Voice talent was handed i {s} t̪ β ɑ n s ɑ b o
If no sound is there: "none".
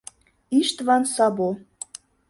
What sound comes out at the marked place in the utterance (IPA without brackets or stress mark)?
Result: ʃ